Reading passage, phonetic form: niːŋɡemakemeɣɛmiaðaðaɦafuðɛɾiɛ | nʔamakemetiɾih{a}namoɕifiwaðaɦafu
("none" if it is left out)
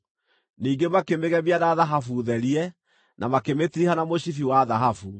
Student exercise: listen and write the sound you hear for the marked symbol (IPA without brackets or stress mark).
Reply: a